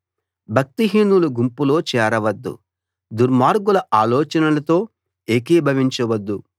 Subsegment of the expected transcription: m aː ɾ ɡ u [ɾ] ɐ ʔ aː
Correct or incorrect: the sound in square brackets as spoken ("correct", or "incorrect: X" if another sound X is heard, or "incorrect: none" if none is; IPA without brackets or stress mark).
incorrect: l